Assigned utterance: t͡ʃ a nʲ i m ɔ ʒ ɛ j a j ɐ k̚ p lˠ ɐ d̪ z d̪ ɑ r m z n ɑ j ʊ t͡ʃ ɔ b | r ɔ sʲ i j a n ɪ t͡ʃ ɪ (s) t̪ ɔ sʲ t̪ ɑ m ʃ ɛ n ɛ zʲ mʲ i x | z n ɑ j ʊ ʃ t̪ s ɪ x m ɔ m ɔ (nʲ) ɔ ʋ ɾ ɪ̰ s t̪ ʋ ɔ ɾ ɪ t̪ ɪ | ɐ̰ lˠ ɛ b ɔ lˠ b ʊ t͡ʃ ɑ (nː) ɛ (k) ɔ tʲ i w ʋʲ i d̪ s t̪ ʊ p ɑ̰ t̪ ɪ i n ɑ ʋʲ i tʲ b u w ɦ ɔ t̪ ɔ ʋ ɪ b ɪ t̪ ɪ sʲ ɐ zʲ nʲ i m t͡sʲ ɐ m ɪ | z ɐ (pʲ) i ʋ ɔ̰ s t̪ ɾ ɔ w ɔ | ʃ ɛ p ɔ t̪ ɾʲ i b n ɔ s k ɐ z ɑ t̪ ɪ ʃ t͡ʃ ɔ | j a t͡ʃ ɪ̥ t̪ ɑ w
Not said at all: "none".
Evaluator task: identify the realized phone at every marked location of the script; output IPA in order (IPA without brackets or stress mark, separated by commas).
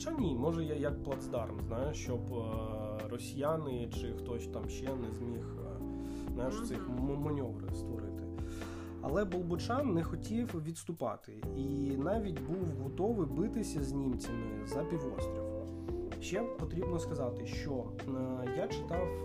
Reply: x, nʲ, nː, x, pʲ